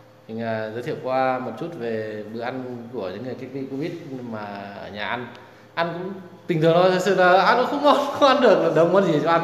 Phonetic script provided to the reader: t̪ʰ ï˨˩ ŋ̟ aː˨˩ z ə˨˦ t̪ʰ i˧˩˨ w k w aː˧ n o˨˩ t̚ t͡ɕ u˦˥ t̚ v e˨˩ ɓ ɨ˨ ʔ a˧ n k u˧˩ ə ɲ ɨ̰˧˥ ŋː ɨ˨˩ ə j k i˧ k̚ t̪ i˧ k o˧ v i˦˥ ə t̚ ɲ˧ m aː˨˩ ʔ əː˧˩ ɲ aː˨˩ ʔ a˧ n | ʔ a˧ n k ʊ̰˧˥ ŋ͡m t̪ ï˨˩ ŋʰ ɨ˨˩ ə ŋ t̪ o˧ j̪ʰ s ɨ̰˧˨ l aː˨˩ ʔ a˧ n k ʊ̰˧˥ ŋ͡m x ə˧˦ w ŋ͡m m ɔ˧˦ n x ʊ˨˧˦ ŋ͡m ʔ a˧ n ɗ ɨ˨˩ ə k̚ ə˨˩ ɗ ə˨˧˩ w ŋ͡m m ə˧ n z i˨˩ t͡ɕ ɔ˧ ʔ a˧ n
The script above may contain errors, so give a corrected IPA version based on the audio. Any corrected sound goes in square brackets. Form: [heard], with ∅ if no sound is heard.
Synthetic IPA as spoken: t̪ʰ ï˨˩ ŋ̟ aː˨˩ z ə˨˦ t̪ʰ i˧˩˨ w k w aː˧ [m] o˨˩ t̚ t͡ɕ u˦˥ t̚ v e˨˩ ɓ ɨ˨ ʔ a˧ n k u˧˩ ə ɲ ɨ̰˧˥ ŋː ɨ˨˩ ə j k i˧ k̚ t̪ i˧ k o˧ v i˦˥ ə t̚ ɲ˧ m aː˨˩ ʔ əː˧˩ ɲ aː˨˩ ʔ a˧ n | ʔ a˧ n k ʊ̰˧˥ ŋ͡m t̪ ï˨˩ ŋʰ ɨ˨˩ ə ŋ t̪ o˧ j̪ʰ s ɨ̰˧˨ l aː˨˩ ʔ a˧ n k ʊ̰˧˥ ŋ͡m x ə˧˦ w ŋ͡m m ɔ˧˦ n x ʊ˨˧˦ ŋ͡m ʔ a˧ n ɗ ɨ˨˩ ə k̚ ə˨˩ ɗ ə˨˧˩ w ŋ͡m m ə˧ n z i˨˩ t͡ɕ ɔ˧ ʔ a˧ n